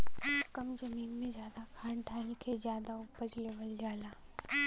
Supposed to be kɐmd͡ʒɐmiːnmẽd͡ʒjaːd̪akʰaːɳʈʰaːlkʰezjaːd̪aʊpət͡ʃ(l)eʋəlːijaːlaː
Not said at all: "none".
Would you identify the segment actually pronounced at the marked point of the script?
l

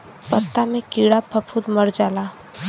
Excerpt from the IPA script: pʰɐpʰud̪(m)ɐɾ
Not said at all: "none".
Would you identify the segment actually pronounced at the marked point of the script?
m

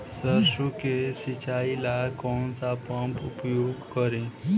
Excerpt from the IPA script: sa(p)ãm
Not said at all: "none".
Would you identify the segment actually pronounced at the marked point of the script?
p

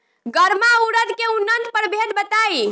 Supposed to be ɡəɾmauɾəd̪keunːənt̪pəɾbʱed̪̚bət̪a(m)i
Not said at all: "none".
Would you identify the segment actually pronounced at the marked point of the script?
none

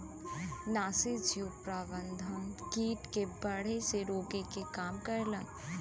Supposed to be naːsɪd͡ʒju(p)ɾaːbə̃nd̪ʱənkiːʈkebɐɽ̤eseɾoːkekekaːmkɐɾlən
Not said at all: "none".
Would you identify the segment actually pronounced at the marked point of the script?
p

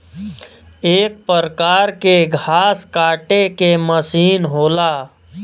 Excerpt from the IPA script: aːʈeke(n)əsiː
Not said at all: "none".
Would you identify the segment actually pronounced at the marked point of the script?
m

